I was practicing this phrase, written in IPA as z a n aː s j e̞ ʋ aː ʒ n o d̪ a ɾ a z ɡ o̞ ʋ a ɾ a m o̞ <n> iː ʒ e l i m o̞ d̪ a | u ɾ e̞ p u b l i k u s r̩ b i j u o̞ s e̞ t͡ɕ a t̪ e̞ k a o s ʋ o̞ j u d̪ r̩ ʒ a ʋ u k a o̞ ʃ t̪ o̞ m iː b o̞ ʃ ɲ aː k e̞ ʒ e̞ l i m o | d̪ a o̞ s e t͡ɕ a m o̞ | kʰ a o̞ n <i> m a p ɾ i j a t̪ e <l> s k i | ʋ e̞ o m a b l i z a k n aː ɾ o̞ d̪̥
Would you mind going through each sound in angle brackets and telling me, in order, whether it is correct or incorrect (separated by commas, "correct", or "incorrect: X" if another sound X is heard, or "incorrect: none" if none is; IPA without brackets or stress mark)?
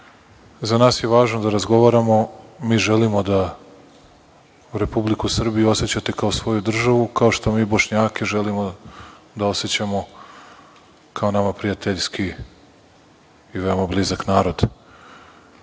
incorrect: m, incorrect: a, incorrect: ʎ